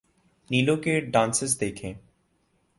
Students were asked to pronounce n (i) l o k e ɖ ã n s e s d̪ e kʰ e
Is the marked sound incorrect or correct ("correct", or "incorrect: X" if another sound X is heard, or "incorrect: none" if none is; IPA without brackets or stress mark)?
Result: correct